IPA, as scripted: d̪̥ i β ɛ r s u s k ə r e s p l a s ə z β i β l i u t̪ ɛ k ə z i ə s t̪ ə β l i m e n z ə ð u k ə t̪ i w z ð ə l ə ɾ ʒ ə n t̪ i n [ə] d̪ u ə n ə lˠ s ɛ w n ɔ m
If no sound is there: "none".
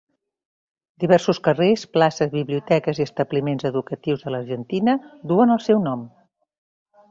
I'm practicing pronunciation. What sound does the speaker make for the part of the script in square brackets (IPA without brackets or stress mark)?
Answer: ə